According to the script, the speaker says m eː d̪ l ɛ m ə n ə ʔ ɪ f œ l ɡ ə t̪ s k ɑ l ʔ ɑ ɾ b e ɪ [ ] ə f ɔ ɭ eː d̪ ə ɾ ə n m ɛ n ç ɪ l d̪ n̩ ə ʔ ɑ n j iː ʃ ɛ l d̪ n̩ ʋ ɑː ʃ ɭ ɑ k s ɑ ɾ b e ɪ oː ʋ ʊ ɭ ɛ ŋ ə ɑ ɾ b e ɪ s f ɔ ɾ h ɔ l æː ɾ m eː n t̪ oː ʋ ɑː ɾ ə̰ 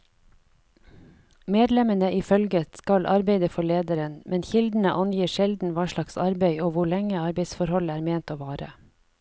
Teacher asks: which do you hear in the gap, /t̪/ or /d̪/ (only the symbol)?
d̪